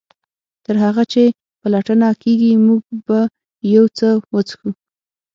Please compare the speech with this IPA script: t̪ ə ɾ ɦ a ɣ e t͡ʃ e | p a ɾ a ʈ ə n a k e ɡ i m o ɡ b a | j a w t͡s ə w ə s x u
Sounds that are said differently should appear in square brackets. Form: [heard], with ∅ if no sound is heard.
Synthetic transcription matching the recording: t̪ ə ɾ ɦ a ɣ [a] t͡ʃ e | p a [l] a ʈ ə n a k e ɡ i m [u] ɡ b a | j a w t͡s ə w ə [t͡s] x u